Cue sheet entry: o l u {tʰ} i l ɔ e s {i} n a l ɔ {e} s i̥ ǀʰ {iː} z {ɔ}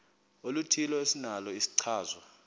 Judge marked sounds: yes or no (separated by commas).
yes, yes, no, no, yes